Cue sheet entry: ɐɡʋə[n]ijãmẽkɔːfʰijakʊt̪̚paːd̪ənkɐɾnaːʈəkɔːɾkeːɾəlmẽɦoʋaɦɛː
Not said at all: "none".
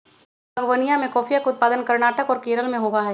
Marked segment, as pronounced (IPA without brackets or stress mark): n